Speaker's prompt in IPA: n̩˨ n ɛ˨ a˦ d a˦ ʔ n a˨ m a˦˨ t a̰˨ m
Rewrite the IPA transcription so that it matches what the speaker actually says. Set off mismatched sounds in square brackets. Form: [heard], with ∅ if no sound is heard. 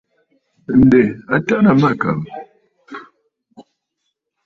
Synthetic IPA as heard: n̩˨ [d] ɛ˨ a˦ [t] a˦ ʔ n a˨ m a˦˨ [k] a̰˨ m